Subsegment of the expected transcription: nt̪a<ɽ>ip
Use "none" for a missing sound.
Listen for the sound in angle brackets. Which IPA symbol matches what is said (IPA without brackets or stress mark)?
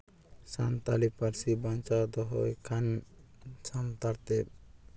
l